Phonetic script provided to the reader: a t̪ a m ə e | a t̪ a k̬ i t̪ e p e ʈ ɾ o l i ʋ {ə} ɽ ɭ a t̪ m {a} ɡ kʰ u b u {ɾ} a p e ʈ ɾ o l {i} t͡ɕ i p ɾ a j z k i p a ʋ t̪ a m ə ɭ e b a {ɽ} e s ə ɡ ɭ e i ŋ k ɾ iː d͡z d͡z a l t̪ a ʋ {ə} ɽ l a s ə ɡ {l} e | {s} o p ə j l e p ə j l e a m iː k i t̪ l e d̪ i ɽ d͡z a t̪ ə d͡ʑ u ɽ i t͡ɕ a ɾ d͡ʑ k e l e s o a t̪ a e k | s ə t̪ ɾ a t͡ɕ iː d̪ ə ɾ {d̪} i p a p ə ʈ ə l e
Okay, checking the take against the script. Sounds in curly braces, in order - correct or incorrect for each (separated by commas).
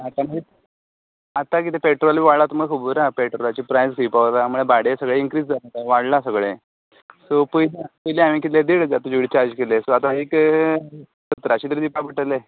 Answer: incorrect, incorrect, correct, incorrect, correct, incorrect, incorrect, correct, correct